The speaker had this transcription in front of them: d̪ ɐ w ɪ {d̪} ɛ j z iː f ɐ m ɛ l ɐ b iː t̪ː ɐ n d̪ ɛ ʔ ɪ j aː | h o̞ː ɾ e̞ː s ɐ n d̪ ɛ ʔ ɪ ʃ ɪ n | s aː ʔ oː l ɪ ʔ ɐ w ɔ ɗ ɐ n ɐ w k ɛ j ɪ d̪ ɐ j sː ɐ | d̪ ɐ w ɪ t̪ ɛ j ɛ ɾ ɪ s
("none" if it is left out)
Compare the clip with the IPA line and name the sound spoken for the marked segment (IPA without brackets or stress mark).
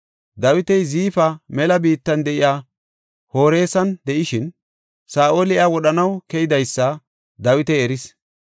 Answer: t̪